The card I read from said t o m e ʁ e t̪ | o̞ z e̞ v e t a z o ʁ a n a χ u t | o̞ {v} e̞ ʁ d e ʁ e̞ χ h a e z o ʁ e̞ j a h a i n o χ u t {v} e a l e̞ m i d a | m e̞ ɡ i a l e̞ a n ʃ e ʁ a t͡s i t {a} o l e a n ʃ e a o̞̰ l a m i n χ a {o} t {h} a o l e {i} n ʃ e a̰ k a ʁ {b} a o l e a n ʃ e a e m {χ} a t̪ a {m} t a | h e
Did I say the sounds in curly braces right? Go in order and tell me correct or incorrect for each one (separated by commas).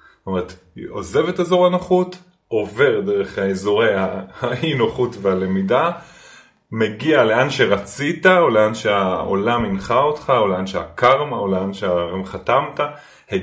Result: correct, correct, correct, correct, incorrect, incorrect, incorrect, correct, correct